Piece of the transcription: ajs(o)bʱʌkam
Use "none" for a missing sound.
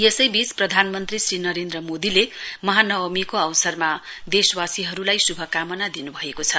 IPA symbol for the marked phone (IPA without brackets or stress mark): u